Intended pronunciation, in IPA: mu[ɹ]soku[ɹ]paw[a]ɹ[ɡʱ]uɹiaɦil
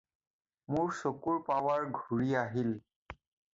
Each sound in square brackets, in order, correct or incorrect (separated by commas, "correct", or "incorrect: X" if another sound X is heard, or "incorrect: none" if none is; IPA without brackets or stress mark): correct, correct, correct, correct